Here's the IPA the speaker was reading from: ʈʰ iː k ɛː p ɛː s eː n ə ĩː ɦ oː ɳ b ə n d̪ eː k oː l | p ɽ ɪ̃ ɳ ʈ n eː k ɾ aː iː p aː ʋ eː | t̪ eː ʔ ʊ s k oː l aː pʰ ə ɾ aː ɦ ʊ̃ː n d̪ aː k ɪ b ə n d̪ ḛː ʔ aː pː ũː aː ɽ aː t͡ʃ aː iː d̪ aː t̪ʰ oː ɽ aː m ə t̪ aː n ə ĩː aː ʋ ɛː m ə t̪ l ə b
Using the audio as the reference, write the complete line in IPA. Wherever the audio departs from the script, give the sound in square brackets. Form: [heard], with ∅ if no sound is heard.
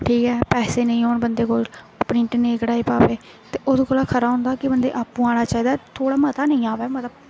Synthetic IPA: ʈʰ iː k ɛː p ɛː s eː n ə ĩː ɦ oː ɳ b ə n d̪ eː k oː l | p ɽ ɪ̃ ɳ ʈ n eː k [ɽ] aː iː p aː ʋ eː | t̪ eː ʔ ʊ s k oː l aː [kʰ] ə ɾ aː ɦ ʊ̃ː n d̪ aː k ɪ b ə n d̪ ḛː ʔ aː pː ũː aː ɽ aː t͡ʃ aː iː d̪ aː t̪ʰ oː ɽ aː m ə t̪ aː n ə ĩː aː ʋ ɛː m ə t̪ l ə b

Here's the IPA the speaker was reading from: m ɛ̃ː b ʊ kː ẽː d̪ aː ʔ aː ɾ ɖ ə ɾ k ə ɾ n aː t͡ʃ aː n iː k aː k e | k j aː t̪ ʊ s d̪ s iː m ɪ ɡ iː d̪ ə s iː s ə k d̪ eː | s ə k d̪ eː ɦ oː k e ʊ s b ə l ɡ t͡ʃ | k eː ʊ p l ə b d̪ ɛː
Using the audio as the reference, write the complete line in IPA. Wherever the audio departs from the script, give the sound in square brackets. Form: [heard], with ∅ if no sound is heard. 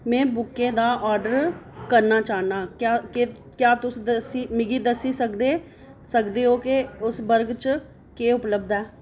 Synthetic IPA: m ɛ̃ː b ʊ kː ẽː d̪ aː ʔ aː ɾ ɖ ə ɾ k ə ɾ n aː t͡ʃ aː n [aː] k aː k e | k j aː t̪ ʊ s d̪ s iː m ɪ ɡ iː d̪ ə s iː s ə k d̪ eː | s ə k d̪ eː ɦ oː k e ʊ s b ə [ɾ] ɡ t͡ʃ | k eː ʊ p l ə b d̪ ɛː

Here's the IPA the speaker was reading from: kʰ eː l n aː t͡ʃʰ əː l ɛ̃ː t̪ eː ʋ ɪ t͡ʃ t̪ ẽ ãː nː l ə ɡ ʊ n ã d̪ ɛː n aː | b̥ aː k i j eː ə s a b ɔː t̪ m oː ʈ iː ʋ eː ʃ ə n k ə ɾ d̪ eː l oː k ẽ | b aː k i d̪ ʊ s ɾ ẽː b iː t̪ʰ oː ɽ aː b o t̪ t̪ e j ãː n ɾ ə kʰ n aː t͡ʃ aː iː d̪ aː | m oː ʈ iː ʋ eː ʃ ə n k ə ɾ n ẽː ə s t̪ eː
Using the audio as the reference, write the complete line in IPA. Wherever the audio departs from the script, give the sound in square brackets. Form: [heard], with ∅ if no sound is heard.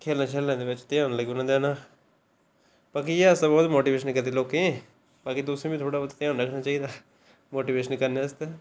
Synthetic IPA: kʰ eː l n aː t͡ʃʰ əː l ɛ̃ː [d̪] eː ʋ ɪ t͡ʃ t̪ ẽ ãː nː l ə ɡ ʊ n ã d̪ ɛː n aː | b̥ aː k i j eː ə s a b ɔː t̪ m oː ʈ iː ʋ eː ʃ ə n k ə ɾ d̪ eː l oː k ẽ | b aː k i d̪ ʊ s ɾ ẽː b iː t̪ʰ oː ɽ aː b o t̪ t̪ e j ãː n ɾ ə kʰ n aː t͡ʃ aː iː d̪ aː | m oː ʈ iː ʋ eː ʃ ə n k ə ɾ n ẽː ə s t̪ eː

